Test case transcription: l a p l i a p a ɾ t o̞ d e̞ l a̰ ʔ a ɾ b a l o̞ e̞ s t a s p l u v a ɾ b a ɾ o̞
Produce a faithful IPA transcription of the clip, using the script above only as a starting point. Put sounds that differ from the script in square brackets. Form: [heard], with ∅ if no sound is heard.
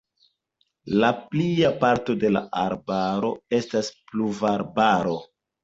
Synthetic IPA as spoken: l a p l i a p a ɾ t o̞ d e̞ l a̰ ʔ a ɾ b a [ɾ] o̞ e̞ s t a s p l u v a ɾ b a ɾ o̞